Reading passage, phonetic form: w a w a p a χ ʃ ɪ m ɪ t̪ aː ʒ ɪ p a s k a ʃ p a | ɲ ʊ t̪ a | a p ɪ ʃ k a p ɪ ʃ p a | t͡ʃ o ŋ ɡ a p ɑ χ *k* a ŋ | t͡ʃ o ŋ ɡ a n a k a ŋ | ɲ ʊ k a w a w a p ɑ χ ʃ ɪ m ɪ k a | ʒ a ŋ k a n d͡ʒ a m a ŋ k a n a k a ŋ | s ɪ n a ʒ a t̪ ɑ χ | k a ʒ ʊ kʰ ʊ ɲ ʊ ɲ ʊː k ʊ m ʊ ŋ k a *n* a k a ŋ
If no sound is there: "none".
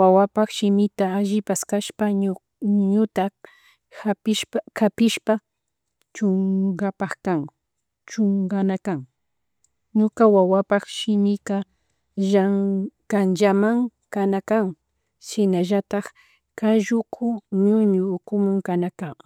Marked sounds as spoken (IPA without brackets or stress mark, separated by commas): k, n